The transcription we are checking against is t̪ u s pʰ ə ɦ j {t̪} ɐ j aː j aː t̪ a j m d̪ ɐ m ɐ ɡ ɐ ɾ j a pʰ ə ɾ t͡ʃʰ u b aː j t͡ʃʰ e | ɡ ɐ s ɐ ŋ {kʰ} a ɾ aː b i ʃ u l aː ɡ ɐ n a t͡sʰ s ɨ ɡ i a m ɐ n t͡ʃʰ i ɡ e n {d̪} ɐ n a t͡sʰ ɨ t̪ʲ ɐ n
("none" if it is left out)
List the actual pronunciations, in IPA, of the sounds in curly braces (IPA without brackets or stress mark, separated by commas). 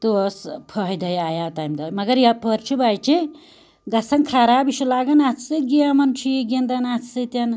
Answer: d̪, kʰ, d̪